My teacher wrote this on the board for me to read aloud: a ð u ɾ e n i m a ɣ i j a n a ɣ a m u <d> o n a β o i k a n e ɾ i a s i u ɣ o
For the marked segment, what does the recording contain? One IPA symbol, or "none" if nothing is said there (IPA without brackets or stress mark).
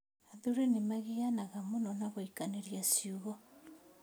n